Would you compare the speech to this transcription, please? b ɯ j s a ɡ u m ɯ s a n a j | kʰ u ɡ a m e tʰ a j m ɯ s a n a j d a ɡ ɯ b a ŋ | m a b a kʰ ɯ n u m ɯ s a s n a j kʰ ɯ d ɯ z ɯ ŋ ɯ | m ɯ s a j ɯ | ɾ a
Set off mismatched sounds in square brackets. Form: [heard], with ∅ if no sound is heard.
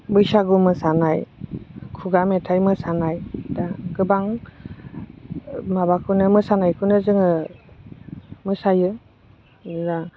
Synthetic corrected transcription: b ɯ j s a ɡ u m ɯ s a n a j | kʰ u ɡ a m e tʰ a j m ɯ s a n a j d a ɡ ɯ b a ŋ | m a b a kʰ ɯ n [ɯ] m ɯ s a [∅] n a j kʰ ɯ [n] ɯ z ɯ ŋ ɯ | m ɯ s a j ɯ | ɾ a